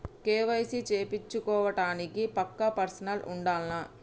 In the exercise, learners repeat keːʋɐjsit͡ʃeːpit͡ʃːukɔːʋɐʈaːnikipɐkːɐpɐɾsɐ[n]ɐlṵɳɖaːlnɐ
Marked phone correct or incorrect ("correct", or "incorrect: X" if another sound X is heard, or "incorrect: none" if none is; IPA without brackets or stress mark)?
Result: correct